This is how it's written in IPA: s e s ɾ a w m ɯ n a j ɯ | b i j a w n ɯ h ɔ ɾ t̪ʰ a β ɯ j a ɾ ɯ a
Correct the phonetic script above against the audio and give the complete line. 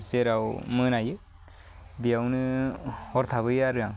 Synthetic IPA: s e ɾ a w m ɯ n a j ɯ | b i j a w n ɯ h ɔ ɾ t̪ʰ a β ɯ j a ɾ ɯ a